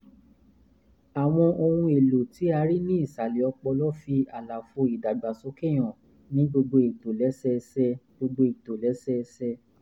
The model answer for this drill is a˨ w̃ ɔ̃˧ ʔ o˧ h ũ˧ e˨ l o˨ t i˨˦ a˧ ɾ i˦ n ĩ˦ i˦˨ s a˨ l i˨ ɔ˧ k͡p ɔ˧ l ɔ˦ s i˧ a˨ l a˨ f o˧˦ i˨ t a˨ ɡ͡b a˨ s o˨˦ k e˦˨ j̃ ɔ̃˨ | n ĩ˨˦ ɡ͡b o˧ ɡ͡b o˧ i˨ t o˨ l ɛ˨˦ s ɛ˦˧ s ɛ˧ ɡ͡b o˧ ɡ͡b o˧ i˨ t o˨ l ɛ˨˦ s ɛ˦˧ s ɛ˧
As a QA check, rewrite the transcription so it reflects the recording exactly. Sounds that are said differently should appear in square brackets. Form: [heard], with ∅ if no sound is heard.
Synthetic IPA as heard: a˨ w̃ ɔ̃˧ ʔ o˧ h ũ˧ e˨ l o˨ t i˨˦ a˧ ɾ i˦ n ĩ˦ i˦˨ s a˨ l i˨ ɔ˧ k͡p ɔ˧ l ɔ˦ [f] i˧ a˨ l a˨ f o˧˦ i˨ [d] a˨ ɡ͡b a˨ s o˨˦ k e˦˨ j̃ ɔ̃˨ | n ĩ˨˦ ɡ͡b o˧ ɡ͡b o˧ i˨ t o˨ l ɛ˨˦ s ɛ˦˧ s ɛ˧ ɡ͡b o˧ ɡ͡b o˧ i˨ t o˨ l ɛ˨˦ s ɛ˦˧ s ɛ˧